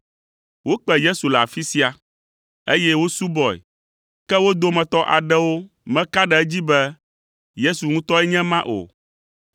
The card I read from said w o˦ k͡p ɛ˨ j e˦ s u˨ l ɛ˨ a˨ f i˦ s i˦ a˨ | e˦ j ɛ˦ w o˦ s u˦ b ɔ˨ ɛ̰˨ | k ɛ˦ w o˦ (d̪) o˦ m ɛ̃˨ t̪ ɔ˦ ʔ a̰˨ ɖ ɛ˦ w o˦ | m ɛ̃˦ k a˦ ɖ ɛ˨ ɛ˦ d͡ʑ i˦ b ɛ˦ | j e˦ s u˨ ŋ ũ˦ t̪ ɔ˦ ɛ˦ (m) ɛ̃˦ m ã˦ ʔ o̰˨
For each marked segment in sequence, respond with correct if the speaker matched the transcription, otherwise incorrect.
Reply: correct, incorrect: ɲ

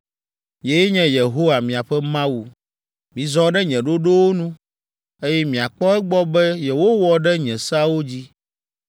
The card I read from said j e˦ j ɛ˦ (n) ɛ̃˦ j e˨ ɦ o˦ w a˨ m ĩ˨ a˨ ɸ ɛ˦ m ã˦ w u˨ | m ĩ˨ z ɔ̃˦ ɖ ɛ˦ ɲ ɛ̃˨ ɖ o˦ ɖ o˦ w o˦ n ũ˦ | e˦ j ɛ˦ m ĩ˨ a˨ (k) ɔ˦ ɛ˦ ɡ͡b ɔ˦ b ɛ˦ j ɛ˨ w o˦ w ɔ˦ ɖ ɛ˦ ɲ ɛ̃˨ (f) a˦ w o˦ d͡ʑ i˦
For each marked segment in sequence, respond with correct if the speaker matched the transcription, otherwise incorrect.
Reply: incorrect: ɲ, incorrect: k͡p, incorrect: s

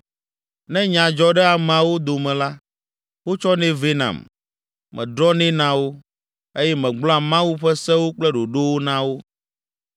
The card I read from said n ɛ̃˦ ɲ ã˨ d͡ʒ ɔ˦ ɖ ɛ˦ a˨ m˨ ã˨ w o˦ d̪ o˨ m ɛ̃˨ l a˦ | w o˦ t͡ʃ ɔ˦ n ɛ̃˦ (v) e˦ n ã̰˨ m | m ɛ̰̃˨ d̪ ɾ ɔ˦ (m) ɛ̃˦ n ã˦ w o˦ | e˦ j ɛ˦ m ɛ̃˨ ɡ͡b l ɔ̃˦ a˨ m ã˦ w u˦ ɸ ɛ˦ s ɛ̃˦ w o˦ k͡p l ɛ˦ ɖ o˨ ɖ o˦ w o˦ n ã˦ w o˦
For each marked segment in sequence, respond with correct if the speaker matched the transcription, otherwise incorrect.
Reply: correct, incorrect: n

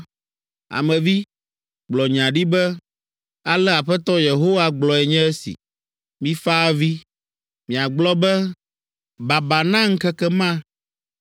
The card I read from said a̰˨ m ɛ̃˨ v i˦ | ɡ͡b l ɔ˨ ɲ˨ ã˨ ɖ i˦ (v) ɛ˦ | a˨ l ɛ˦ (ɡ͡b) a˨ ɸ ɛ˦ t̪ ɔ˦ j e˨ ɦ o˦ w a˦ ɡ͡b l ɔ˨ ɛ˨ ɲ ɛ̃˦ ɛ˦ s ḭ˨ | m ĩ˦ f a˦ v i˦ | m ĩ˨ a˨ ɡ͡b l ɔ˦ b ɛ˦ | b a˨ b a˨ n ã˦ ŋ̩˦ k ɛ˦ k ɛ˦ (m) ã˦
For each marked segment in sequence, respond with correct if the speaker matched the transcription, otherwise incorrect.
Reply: incorrect: b, incorrect: none, correct

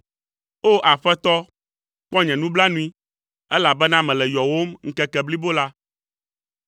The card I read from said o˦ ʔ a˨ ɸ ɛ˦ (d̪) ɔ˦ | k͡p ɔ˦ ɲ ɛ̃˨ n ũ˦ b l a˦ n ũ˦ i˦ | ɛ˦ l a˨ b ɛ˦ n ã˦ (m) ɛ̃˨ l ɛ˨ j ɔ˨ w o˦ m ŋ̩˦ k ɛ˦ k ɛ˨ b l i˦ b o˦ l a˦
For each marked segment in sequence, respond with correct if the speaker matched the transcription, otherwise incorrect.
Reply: incorrect: t̪, correct

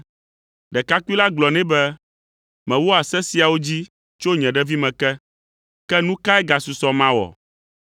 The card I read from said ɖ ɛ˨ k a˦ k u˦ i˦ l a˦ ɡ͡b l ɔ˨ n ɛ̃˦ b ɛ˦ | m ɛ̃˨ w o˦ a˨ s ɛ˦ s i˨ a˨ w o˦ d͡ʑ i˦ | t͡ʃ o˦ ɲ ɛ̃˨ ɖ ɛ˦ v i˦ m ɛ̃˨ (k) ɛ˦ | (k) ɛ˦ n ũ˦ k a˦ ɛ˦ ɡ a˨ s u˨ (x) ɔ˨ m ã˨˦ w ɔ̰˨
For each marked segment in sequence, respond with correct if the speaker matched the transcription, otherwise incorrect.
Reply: correct, correct, incorrect: s

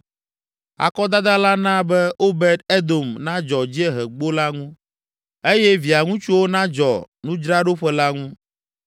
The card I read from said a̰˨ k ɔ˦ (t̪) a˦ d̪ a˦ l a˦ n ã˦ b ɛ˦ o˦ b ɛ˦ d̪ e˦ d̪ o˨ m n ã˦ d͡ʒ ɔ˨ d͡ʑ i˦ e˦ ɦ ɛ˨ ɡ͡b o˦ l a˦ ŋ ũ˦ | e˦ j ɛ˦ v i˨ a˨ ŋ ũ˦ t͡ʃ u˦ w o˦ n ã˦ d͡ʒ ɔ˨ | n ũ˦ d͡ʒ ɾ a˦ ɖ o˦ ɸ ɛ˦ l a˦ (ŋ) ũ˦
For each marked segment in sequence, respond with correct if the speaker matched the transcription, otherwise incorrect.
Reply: incorrect: d̪, correct

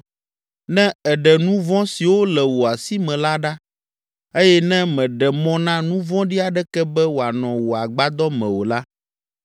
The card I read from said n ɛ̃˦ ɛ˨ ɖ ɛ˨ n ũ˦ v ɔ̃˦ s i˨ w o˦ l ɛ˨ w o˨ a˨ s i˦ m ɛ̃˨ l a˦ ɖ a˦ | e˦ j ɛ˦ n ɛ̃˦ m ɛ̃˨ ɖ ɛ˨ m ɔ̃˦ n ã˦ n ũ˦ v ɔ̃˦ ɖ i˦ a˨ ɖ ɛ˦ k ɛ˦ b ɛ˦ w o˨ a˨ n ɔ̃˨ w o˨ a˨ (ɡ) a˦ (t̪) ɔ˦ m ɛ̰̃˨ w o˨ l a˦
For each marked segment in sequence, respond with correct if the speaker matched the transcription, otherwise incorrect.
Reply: incorrect: ɡ͡b, incorrect: d̪

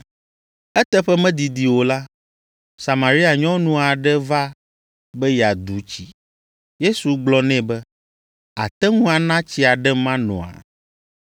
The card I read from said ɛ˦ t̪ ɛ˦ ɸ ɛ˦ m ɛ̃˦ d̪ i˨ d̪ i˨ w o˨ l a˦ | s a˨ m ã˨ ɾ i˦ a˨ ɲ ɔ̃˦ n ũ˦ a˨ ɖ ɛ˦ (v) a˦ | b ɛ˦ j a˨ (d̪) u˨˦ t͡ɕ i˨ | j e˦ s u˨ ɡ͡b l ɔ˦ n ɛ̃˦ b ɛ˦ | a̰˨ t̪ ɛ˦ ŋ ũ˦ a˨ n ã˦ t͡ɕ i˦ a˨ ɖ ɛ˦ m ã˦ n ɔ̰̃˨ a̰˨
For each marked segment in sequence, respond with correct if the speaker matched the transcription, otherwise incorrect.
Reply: correct, correct

